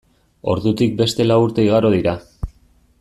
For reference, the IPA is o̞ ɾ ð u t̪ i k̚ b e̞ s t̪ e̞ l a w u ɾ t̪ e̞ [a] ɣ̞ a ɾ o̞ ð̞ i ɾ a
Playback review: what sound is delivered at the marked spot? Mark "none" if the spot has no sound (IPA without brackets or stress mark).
i